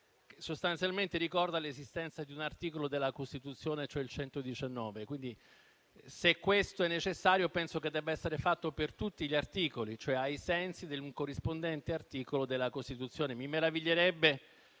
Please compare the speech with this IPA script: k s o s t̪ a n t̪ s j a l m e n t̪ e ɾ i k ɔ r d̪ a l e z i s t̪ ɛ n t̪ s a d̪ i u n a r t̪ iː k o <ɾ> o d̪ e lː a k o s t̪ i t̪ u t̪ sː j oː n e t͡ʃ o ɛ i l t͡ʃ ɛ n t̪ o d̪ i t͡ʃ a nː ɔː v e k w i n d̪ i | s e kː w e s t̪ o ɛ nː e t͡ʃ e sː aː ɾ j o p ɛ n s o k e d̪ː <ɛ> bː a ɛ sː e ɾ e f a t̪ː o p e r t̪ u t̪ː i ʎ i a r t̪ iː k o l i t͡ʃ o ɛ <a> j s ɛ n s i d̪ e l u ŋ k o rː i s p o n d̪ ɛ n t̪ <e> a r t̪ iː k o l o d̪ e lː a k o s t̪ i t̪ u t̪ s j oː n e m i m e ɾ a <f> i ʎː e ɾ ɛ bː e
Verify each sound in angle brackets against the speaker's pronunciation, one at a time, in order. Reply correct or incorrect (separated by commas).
incorrect, correct, correct, correct, incorrect